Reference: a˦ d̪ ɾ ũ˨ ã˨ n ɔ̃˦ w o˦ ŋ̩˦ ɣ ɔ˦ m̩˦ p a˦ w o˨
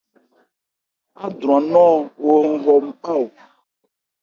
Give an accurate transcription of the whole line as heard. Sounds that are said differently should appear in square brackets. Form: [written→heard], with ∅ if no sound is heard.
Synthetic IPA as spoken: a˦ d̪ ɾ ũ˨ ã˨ n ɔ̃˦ w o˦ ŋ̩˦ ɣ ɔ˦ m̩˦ [p→k͡p] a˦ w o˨